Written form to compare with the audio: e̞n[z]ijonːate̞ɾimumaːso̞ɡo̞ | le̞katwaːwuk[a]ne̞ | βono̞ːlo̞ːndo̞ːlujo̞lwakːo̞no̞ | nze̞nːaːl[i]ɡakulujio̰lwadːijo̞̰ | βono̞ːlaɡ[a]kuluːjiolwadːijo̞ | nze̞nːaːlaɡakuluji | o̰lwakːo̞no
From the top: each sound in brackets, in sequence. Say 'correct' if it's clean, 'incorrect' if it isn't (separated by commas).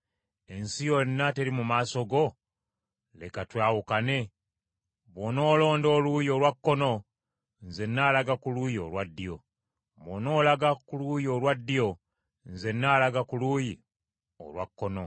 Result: incorrect, correct, incorrect, correct